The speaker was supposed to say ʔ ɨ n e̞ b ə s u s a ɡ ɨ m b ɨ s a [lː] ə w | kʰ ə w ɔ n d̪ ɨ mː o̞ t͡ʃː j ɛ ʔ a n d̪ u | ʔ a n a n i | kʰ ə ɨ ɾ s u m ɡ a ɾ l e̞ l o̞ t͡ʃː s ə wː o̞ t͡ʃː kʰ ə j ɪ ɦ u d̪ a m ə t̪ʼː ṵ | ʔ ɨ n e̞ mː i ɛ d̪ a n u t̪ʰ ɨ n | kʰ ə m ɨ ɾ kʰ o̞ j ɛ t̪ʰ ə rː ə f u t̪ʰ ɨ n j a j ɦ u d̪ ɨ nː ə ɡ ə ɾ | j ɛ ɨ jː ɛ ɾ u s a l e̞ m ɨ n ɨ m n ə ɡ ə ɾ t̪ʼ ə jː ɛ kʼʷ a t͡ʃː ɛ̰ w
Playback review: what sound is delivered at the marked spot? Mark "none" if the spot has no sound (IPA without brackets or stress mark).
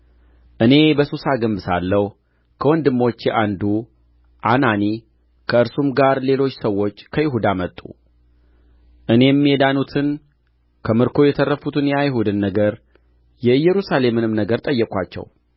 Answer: lː